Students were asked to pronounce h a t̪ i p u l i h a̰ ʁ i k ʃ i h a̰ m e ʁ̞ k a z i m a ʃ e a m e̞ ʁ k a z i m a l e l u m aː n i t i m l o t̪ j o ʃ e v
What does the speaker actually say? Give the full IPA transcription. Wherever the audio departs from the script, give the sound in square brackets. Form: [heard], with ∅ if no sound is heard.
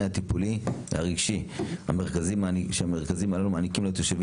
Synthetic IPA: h a t̪ i p u l i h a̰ ʁ i [ɡ] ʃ i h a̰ m e ʁ̞ k a z i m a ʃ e a m e̞ ʁ k a z i m a l [a] l u m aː n i [k] i m l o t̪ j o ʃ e v